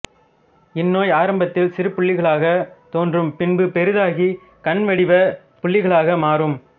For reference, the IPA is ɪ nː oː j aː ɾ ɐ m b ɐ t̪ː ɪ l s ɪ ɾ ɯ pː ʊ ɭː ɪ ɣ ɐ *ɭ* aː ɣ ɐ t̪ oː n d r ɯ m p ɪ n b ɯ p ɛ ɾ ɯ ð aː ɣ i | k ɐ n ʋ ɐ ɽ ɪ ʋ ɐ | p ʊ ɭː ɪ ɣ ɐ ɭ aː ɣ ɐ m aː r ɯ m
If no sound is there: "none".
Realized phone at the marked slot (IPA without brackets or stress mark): ɭ